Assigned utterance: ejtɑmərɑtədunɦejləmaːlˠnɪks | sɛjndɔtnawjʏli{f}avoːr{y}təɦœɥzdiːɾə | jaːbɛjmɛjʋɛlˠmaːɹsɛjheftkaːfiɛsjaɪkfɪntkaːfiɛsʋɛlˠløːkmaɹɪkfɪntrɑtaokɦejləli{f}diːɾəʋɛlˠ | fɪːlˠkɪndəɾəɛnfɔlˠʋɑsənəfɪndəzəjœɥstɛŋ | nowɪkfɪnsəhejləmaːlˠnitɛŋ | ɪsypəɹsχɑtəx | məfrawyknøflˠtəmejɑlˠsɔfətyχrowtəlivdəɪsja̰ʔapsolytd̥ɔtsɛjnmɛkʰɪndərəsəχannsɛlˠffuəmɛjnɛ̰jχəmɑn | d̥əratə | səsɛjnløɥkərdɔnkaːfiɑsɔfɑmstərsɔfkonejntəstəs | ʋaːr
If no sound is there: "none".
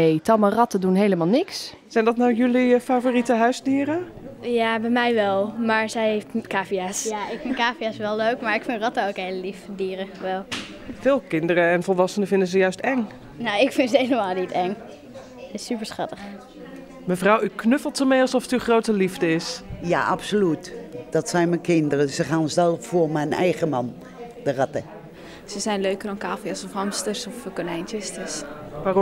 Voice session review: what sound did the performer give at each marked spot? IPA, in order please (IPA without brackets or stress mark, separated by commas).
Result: f, i, f